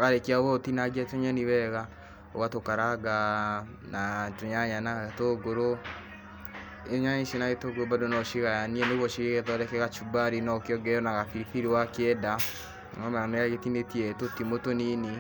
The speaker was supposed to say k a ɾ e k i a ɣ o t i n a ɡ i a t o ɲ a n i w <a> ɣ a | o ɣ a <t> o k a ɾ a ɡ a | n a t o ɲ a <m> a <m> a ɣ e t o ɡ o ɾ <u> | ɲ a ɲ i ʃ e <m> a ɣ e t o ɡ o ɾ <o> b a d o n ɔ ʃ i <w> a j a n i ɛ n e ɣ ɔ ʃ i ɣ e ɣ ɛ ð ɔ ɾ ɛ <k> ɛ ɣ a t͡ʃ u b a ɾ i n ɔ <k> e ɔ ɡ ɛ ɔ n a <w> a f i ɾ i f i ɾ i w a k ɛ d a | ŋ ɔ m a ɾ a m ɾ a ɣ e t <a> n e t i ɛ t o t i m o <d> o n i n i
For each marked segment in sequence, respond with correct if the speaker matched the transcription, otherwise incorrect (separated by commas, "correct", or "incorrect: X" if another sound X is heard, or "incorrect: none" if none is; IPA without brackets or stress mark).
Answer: incorrect: ɛ, correct, incorrect: ɲ, incorrect: n, incorrect: o, incorrect: n, correct, incorrect: ɣ, correct, correct, incorrect: ɣ, incorrect: i, incorrect: t